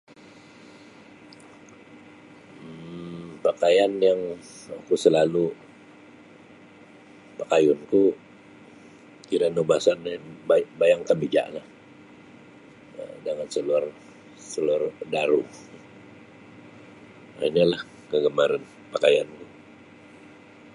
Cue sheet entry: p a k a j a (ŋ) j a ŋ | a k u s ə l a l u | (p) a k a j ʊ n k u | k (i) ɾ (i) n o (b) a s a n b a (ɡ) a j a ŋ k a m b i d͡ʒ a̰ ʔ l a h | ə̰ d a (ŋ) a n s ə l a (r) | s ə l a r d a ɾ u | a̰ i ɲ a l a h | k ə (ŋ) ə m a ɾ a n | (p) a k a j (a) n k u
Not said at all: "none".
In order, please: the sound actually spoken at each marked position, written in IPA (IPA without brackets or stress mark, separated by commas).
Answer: n, p, i, a, b, b, ŋ, r, ɡ, p, a